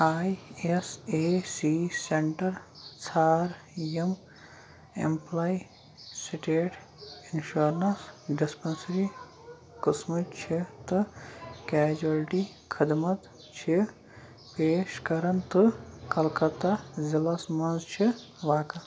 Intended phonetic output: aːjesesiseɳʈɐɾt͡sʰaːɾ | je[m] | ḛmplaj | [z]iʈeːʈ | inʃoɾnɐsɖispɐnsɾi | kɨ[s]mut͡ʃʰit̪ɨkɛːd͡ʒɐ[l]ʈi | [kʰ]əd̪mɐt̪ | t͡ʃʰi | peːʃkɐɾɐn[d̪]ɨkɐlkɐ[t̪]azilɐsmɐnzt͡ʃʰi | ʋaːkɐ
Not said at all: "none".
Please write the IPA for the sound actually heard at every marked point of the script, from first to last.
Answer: m, s, s, l, kʰ, t̪, t̪

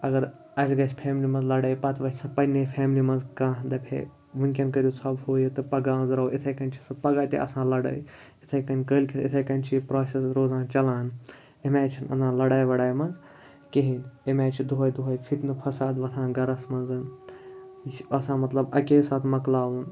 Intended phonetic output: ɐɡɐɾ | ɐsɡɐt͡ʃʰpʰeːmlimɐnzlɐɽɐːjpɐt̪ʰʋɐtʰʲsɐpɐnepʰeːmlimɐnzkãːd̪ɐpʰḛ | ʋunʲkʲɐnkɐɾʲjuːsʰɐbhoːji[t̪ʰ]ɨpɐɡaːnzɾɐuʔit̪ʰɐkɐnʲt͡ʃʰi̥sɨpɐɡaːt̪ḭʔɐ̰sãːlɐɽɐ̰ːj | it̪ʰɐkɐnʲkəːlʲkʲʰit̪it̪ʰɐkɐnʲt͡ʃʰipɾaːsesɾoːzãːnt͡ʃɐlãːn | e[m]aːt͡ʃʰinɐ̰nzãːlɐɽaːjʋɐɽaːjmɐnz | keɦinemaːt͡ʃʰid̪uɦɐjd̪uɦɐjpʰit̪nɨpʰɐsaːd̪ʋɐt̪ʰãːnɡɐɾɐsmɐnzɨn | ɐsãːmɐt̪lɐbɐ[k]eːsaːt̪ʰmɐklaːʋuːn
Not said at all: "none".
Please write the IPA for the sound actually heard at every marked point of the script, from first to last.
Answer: t̪, m, k

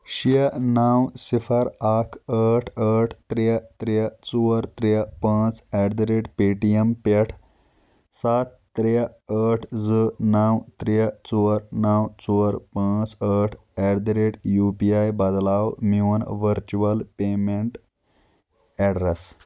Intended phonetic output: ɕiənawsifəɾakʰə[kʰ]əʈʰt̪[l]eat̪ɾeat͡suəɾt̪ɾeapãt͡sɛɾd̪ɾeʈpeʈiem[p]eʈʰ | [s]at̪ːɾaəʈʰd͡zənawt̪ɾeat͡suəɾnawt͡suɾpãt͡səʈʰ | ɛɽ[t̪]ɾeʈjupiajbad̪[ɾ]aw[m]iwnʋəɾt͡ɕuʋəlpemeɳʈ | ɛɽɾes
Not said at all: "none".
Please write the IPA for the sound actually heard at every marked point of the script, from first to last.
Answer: ʈʰ, ɾ, p, s, d̪, l, m

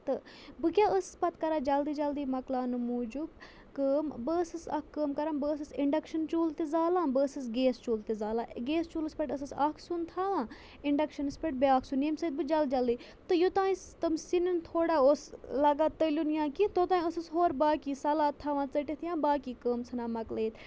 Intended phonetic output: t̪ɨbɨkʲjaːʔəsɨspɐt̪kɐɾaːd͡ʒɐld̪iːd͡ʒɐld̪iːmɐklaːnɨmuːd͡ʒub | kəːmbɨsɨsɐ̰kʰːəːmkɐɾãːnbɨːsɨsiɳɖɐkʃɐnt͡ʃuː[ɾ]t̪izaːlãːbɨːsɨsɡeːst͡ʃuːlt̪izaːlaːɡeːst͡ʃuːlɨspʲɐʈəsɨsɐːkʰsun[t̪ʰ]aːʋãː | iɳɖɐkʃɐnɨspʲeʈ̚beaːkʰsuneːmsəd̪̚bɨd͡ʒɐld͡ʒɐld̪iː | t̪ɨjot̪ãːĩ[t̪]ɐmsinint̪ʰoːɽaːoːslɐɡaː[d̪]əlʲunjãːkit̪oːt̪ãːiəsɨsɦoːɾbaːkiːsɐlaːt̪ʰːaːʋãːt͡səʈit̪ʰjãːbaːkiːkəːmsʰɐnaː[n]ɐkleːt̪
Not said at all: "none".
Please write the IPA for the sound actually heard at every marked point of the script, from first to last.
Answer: l, t̪ʰ, t̪, t̪, m

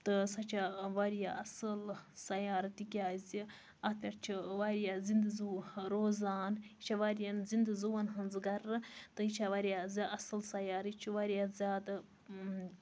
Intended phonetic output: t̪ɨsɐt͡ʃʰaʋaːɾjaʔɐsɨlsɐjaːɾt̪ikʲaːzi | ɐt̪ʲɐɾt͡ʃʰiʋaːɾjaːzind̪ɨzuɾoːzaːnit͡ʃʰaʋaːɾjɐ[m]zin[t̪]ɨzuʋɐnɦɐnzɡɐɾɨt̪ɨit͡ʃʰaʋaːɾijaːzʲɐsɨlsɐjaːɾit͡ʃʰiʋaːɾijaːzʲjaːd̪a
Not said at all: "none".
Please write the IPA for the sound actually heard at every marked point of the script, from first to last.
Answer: n, d̪

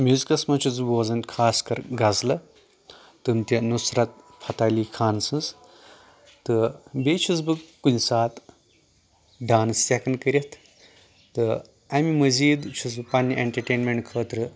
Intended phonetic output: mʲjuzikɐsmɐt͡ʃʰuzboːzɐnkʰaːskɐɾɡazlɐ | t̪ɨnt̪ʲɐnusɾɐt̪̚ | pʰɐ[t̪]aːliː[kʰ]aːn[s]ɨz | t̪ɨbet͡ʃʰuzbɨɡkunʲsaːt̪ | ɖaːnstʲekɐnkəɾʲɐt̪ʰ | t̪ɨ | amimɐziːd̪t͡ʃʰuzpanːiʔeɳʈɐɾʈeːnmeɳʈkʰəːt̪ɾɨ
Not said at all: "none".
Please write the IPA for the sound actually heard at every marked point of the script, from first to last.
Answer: t̪, kʰ, s

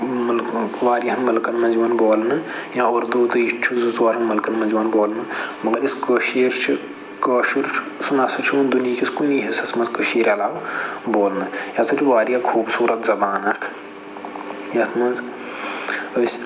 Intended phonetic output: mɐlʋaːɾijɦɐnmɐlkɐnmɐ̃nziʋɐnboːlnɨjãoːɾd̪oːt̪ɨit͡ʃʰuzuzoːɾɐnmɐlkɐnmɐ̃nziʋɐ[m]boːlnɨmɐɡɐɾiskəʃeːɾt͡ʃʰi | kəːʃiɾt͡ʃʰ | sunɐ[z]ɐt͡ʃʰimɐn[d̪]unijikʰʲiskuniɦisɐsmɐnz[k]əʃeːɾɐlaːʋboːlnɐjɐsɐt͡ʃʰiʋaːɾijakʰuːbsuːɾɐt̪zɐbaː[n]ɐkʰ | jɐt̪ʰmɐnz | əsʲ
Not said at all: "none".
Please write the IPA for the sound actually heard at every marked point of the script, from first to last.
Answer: n, s, d̪, k, n

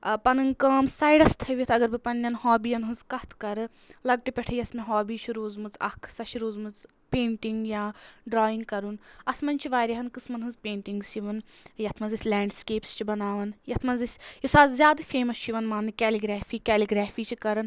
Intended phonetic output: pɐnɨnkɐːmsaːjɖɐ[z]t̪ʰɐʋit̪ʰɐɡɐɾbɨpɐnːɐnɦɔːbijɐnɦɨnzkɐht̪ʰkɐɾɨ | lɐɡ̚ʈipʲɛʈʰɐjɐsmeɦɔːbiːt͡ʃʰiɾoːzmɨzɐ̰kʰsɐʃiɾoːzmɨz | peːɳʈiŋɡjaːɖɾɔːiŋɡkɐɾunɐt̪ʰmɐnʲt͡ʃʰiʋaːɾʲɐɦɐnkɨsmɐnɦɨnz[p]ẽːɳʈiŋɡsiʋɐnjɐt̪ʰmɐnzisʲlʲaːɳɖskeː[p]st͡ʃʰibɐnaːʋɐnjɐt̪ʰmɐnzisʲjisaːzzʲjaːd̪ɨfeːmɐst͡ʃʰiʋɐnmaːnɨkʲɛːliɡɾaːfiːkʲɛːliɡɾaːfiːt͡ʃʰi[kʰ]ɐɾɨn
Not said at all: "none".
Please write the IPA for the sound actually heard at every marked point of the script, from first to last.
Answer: s, p, p, k

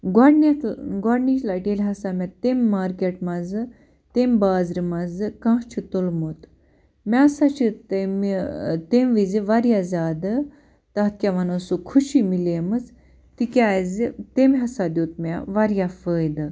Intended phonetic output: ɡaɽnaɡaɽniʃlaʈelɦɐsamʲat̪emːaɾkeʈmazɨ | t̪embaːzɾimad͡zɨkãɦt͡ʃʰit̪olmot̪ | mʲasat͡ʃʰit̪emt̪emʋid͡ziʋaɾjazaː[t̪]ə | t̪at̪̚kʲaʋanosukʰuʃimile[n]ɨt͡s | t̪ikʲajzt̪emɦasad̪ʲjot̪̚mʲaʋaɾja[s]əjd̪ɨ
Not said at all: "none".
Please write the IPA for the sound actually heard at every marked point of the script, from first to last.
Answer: d̪, m, f

